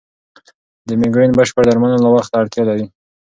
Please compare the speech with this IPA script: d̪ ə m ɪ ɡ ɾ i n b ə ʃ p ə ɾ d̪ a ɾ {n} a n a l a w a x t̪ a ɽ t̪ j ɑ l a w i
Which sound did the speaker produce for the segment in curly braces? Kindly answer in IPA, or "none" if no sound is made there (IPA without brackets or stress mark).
m